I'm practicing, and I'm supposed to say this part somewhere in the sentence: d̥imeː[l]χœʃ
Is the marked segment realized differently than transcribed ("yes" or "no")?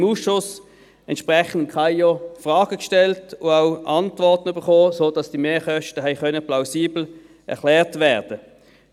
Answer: yes